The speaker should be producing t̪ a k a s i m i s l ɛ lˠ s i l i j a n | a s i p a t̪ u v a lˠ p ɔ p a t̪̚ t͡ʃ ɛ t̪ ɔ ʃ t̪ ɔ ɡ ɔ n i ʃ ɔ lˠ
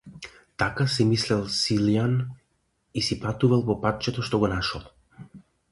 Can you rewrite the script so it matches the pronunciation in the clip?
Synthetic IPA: t̪ a k a s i m i s l ɛ lˠ s i l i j a n | i s i p a t̪ u v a lˠ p ɔ p a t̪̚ t͡ʃ ɛ t̪ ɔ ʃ t̪ ɔ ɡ ɔ n a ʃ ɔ lˠ